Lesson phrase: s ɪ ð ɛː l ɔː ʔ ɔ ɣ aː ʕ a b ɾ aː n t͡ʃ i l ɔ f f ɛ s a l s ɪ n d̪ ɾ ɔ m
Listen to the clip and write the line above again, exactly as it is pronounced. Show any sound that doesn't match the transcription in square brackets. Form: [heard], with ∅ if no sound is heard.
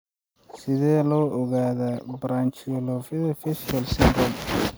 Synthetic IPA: s ɪ ð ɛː l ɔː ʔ ɔ ɣ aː [ð] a b ɾ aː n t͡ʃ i l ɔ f f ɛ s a l s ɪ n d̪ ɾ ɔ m